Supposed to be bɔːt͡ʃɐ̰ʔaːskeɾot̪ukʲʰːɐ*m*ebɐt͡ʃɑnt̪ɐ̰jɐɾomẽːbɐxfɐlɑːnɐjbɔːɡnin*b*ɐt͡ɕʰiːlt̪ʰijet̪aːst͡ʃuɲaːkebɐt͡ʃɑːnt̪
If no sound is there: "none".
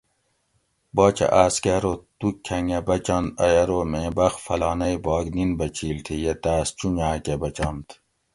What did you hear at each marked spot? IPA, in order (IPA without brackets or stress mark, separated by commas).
ŋ, b